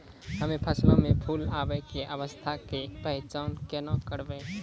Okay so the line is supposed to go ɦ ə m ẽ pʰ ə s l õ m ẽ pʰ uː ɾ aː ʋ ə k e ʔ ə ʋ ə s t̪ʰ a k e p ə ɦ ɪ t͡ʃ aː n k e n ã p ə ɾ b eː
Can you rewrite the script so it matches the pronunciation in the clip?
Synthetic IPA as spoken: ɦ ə m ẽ pʰ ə s l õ m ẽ pʰ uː l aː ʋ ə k e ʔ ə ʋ ə s t̪ʰ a k e p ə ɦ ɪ t͡ʃ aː n k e n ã k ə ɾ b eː